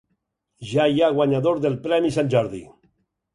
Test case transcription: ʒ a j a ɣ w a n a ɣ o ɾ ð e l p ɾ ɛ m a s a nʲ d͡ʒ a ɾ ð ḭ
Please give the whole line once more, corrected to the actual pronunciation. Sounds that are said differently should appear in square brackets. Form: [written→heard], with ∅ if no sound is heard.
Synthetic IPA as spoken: ʒ a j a ɣ w a [n→ɲ] a [ɣ→ð] o ɾ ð e l p ɾ ɛ m [a→i] s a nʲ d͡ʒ a ɾ ð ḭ

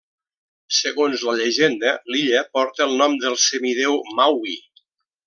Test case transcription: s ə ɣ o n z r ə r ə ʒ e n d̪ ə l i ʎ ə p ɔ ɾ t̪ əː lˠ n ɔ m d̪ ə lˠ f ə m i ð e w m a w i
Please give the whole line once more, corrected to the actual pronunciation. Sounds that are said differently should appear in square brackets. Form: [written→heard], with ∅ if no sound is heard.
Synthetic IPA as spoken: s ə ɣ o n z [r→l] ə [r→ʎ] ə ʒ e n d̪ ə l i ʎ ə p ɔ ɾ t̪ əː lˠ n ɔ m d̪ ə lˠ [f→s] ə m i ð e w m a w i

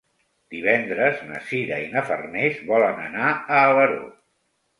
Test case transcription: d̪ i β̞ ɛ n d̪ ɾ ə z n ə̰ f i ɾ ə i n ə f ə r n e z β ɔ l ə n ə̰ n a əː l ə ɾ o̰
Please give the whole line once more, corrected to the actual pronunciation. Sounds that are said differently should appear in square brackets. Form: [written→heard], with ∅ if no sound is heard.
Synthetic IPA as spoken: d̪ i β̞ ɛ n d̪ ɾ ə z n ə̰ [f→s] i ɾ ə i n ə f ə r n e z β ɔ l ə n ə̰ n a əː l ə ɾ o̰

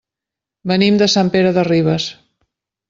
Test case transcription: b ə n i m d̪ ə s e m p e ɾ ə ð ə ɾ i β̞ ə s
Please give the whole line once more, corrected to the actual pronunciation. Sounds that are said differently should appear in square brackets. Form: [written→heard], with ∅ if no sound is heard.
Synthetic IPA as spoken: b ə n i m d̪ ə s [e→a] m p e ɾ ə ð ə [ɾ→r] i β̞ ə s

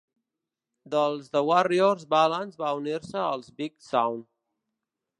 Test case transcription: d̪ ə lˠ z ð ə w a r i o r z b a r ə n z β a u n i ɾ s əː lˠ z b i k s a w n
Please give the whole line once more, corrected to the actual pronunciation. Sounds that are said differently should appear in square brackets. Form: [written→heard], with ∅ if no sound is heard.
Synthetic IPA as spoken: d̪ ə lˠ z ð ə w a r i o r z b a [r→l] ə n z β a u n i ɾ s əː lˠ z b i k s a w n

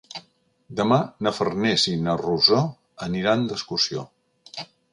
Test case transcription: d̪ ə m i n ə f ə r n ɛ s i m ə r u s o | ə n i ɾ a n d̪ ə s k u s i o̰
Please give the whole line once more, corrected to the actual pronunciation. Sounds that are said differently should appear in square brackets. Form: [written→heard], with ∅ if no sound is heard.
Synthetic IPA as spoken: d̪ ə m [i→a] n ə f ə r n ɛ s i [m→n] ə r u [s→z] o | ə n i ɾ a n d̪ ə s k u s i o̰

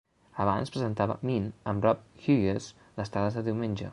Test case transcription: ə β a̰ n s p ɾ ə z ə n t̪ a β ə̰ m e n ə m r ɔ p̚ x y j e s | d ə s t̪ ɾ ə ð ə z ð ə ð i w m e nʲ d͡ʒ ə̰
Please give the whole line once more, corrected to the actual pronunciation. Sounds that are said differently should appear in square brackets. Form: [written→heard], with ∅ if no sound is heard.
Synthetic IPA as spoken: ə β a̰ n s p ɾ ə z ə n t̪ a β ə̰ m [e→i] n ə m r ɔ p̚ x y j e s | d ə s t̪ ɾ [ə→a] ð ə z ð ə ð i w m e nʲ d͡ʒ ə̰

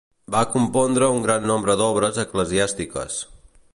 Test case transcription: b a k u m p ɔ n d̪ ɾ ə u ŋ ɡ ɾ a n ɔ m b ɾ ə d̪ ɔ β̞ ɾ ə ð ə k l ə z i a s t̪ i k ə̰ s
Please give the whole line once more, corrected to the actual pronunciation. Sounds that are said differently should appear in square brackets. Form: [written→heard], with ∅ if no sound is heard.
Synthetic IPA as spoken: b a k u m p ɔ n d̪ ɾ ə u ŋ ɡ ɾ a [n→nː] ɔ m b ɾ ə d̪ ɔ β̞ ɾ ə [ð→z] ə k l ə z i a s t̪ i k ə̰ s

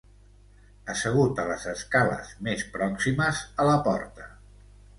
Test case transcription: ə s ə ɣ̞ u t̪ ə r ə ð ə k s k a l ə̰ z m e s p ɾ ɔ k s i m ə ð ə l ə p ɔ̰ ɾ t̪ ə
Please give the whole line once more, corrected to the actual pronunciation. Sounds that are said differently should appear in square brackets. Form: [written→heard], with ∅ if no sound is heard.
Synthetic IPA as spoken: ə s ə ɣ̞ u t̪ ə [r→l] ə [ð→z] ə [k→∅] s k a l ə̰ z m e s p ɾ ɔ k s i m ə [ð→z] ə l ə p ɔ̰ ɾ t̪ ə

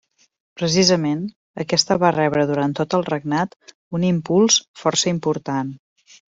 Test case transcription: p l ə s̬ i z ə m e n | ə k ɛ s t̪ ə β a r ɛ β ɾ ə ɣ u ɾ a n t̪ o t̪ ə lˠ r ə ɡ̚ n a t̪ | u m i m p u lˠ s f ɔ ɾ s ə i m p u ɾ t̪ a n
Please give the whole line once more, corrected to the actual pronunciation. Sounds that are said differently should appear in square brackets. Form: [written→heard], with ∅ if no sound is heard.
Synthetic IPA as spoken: p [l→ɾ] ə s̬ i z ə m e n | ə k ɛ s t̪ ə β a r ɛ β ɾ ə [ɣ→ð] u ɾ a n t̪ o t̪ ə lˠ r ə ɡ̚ n a t̪ | u [m→n] i m p u lˠ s f ɔ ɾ s ə i m p u ɾ t̪ a n

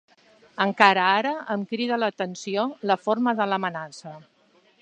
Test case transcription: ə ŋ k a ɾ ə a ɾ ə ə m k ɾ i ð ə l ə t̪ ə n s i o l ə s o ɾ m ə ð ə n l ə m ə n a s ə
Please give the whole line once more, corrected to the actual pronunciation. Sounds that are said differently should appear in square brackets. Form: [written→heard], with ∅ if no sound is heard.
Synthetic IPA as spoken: ə ŋ k a ɾ ə a ɾ ə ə m k ɾ i ð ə l ə t̪ ə n s i o l ə [s→f] o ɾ m ə ð ə [n→∅] l ə m ə n a s ə

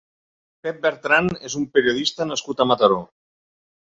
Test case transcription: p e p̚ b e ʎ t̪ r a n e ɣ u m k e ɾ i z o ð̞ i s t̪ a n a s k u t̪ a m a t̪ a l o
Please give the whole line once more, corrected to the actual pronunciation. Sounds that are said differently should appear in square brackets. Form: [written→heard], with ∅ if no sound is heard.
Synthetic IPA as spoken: p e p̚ b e [ʎ→ɾ] t̪ [r→ɾ] a n e [ɣ→z] u m [k→p] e ɾ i [z→∅] o ð̞ i s t̪ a n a s k u t̪ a m a t̪ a [l→ɾ] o

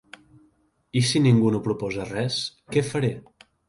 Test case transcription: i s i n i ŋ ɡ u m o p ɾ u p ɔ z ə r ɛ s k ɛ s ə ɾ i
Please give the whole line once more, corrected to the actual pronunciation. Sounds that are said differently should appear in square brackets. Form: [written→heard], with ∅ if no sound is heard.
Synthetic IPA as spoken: i s i n i ŋ ɡ u [m→n] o p ɾ u p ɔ z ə r ɛ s k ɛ [s→f] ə ɾ [i→e]

